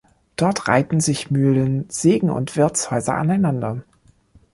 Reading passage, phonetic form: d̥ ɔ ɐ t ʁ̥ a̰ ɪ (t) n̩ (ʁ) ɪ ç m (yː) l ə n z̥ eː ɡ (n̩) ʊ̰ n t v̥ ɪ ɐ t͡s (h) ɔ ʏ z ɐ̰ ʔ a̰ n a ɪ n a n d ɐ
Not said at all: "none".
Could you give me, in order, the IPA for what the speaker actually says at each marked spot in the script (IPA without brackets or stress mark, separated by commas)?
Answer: t, z, yː, ŋ̩, h